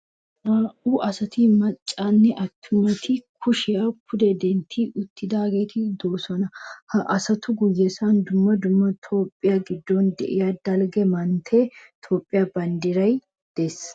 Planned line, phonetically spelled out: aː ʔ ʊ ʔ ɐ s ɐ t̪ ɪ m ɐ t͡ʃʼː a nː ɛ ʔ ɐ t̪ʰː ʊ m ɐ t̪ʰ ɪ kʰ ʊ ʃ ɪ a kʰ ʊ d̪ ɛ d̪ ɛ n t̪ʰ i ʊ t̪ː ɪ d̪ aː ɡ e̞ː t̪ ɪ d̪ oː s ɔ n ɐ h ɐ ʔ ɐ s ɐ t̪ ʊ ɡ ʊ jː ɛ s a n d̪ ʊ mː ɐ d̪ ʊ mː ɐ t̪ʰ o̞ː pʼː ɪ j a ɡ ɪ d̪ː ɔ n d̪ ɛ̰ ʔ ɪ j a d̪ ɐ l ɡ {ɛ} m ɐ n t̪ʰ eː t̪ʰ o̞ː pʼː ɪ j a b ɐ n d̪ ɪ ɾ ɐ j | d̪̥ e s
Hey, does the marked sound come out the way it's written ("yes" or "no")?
yes